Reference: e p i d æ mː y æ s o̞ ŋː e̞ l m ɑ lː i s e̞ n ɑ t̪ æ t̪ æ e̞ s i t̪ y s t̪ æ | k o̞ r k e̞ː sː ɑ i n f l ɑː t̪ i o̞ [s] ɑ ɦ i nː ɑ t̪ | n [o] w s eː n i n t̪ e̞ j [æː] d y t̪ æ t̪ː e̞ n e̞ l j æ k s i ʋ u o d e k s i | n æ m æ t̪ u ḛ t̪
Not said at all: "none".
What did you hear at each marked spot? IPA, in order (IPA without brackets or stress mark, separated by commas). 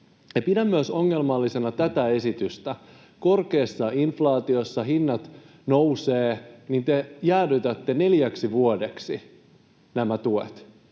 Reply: sː, o, æː